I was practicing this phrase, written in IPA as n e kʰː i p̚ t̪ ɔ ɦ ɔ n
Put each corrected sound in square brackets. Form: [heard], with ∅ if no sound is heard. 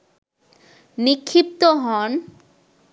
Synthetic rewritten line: n [i] kʰː i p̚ t̪ [o] ɦ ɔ n